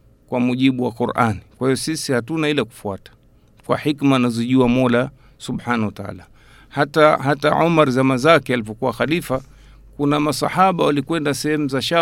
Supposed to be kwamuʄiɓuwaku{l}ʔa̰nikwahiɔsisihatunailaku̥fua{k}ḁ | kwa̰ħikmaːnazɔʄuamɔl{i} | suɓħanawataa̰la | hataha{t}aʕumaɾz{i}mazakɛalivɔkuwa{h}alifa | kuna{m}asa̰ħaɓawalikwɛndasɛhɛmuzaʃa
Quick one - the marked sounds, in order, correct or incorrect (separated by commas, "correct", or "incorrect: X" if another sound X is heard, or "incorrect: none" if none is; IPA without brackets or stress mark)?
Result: incorrect: ɾ, incorrect: t, incorrect: a, correct, incorrect: a, incorrect: x, correct